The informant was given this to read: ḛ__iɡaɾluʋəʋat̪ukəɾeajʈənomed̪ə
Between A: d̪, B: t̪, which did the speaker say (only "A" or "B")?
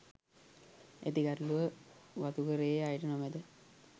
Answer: B